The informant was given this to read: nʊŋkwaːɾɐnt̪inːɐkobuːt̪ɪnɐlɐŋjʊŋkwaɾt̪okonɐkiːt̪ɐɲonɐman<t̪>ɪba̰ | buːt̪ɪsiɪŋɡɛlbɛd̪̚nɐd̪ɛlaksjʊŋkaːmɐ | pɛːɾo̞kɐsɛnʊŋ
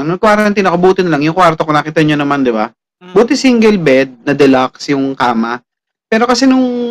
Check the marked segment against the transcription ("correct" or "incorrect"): incorrect